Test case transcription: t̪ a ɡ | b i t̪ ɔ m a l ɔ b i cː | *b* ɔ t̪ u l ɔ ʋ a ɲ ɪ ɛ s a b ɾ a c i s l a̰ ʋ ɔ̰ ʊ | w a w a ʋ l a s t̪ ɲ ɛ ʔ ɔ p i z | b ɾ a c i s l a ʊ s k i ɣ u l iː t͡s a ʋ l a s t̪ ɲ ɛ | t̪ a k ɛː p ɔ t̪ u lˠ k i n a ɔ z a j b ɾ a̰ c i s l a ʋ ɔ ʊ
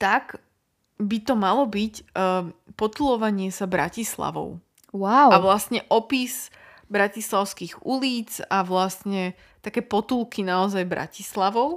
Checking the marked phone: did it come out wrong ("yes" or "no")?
yes